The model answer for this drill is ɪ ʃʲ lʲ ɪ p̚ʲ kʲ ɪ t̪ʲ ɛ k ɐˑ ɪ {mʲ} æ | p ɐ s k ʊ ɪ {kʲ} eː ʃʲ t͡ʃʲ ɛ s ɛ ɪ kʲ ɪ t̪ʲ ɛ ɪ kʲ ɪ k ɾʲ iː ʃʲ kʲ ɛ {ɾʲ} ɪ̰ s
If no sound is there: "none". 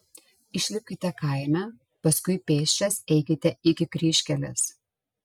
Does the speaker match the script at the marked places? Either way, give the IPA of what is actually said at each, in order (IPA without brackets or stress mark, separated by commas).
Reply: mʲ, pʲ, lʲ